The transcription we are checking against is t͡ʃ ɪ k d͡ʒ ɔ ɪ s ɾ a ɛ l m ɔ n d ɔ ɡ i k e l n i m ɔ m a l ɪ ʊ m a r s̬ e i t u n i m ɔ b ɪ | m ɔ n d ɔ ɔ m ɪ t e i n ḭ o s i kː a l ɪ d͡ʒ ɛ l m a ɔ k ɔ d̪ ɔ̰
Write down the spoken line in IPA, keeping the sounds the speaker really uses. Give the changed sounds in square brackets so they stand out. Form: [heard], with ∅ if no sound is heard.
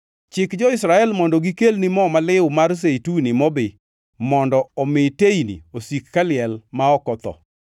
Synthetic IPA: t͡ʃ ɪ k d͡ʒ ɔ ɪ s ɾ a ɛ l m ɔ n d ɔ ɡ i k e l n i m ɔ m a l ɪ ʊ m a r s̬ e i t u n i m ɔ b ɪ | m ɔ n d ɔ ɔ m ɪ t e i n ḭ o s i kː a l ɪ [∅] ɛ l m a ɔ k ɔ [t̪] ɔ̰

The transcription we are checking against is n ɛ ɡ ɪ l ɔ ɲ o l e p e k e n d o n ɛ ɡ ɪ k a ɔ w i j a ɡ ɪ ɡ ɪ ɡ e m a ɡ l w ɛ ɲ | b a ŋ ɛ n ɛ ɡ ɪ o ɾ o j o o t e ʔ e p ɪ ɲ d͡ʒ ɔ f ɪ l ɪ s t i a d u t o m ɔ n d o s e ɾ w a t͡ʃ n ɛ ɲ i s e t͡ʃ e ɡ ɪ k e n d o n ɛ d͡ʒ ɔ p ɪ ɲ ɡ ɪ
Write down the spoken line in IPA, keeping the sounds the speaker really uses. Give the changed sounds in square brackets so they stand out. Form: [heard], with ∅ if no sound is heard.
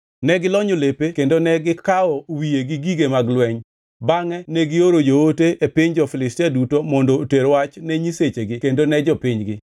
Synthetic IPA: n ɛ ɡ ɪ l ɔ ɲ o l e p e k e n d o n ɛ ɡ ɪ k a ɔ w i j [e] ɡ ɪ ɡ [i] ɡ e m a ɡ l w ɛ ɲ | b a ŋ ɛ n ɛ ɡ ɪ o ɾ o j o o t e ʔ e p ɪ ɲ d͡ʒ ɔ f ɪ l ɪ s t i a d u t o m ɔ n d o [t] e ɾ w a t͡ʃ n ɛ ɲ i s e t͡ʃ e ɡ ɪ k e n d o n ɛ d͡ʒ ɔ p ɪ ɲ ɡ ɪ

